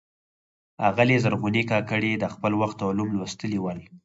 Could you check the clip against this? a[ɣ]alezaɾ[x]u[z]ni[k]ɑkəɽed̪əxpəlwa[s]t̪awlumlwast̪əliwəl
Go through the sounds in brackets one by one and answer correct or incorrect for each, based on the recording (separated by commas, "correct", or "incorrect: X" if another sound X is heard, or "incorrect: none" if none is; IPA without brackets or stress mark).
correct, incorrect: ɣ, incorrect: none, correct, incorrect: x